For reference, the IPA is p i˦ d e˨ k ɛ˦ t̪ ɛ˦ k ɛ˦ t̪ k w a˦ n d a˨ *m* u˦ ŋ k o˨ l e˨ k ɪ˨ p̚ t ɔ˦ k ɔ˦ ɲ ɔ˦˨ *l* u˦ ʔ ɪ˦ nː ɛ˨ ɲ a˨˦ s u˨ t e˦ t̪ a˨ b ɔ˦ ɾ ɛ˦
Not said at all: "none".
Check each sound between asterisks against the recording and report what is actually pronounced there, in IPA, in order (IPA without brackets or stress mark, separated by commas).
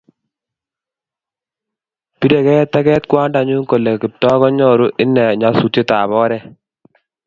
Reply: ɲ, ɾ